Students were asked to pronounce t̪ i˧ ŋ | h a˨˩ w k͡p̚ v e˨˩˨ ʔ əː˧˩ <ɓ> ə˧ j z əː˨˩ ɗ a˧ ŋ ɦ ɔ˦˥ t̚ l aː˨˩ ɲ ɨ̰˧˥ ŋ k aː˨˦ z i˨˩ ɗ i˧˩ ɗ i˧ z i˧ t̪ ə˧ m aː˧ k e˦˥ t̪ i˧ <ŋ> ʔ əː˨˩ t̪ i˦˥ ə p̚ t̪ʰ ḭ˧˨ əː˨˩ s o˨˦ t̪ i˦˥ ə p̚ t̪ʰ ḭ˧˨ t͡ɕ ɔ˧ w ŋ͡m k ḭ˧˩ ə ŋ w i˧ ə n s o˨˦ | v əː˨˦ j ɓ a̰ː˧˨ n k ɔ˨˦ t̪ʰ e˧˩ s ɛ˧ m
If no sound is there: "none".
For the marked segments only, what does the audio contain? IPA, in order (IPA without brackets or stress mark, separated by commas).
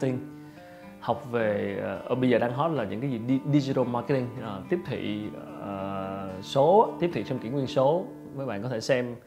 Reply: ɓ, ŋ